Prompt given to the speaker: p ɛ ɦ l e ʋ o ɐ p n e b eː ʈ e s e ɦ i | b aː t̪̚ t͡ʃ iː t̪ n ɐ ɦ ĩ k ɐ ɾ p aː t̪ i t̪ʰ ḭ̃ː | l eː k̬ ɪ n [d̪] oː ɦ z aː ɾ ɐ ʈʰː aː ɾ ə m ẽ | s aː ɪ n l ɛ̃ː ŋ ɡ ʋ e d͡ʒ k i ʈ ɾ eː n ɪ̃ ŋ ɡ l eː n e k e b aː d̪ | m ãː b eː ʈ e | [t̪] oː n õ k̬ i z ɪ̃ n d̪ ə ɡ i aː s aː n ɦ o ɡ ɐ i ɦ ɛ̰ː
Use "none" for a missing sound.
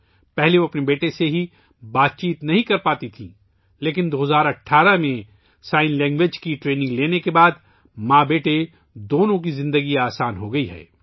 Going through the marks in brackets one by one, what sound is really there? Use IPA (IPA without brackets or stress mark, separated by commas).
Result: d̪, d̪